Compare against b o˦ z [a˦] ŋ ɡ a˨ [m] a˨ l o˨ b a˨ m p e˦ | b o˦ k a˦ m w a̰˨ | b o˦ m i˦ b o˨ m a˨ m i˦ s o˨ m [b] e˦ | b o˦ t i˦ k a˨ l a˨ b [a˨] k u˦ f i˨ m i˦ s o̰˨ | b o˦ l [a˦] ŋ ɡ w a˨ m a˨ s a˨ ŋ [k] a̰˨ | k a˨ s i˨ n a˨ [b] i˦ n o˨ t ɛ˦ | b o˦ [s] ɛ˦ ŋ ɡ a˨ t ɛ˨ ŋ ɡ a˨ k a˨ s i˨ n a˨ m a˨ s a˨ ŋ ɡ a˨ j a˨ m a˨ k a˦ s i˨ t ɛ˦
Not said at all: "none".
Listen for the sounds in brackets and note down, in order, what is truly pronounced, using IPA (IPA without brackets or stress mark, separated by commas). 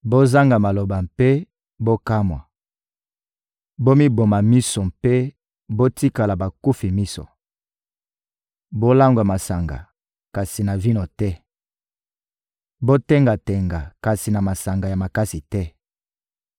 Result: a˦, m, p, a˨, a˦, ɡ, v, t